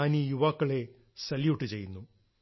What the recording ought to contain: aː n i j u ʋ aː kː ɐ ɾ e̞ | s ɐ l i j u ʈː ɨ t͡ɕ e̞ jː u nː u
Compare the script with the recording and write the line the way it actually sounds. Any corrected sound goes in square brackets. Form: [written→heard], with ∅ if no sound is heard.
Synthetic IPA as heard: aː n i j u ʋ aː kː ɐ [ɾ→ɭ] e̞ | s ɐ l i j u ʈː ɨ t͡ɕ e̞ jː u nː u